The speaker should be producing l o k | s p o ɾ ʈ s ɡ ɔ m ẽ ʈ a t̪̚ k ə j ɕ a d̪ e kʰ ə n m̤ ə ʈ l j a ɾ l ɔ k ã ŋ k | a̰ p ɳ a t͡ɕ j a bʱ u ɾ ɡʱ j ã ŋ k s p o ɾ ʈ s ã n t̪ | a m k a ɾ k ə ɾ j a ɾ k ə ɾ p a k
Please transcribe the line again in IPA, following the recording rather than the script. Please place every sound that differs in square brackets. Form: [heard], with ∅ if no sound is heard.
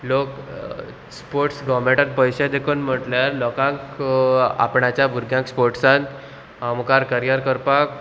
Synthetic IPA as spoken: l o k | s p o ɾ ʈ s ɡ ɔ m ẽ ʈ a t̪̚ [p] ə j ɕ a d̪ e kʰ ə n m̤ ə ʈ l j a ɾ l ɔ k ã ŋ k | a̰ p ɳ a t͡ɕ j a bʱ u ɾ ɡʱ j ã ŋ k s p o ɾ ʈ s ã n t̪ | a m k a ɾ k ə ɾ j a ɾ k ə ɾ p a k